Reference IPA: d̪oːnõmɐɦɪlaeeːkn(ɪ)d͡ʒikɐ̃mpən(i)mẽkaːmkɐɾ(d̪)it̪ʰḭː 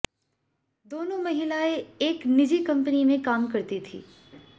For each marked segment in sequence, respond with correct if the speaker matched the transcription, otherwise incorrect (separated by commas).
correct, correct, incorrect